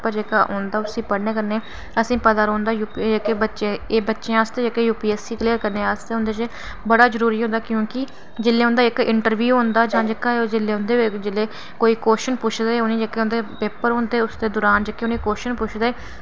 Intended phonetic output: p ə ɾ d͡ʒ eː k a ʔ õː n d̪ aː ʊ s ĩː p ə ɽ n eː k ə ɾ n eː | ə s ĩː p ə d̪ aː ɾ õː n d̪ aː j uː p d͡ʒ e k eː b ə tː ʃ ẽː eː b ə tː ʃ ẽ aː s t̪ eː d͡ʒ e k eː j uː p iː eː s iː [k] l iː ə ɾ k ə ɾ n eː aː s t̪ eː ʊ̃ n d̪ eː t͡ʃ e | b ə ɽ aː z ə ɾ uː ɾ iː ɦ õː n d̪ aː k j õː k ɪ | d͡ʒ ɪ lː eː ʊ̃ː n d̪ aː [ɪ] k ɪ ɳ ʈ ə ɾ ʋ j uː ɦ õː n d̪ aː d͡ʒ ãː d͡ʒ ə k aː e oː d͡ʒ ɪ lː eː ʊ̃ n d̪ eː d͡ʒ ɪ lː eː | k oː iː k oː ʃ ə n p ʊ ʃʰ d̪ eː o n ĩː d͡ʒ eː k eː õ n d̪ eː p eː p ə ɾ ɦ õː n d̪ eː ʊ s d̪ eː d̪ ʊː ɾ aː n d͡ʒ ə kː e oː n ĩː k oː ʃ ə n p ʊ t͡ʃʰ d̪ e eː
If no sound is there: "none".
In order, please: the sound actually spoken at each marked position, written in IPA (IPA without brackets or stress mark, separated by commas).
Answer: k, ɪ